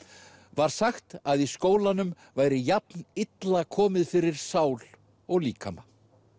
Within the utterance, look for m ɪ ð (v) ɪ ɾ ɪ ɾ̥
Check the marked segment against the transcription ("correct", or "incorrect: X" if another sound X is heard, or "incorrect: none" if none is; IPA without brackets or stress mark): incorrect: f